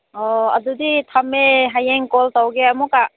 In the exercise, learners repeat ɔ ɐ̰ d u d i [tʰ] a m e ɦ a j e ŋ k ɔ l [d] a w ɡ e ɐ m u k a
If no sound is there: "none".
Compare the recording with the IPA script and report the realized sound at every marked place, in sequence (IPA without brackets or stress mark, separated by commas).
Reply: tʰ, t